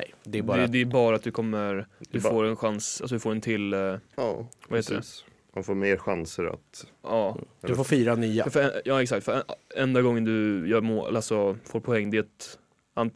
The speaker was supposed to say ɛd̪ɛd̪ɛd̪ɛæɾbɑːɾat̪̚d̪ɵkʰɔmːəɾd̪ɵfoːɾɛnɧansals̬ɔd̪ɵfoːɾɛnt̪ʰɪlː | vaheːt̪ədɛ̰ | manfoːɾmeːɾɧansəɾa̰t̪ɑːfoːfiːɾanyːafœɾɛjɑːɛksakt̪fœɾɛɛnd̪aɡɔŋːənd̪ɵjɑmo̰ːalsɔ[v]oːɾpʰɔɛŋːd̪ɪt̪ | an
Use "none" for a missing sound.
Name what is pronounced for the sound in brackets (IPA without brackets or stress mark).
f